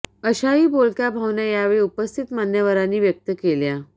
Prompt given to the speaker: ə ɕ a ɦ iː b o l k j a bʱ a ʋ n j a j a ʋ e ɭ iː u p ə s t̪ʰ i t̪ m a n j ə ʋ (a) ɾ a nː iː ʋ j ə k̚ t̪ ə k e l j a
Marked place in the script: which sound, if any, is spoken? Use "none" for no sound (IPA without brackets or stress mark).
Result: ə